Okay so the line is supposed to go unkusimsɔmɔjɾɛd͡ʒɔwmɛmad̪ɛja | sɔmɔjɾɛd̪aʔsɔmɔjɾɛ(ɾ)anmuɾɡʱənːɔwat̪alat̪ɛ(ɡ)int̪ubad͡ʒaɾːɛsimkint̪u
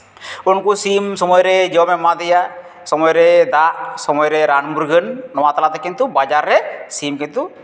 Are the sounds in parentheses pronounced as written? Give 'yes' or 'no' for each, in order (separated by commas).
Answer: yes, no